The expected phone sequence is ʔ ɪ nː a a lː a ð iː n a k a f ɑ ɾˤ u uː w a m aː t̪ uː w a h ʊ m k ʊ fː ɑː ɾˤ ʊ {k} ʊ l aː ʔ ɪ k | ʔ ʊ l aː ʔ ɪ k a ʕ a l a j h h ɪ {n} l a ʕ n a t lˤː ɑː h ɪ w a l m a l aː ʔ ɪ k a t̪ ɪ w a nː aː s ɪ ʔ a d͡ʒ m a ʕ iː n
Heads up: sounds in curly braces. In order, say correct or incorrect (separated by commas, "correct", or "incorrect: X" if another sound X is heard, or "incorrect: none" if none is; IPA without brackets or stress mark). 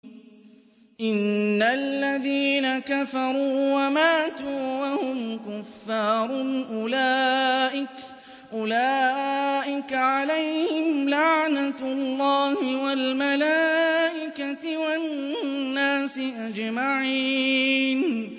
incorrect: ʔ, incorrect: m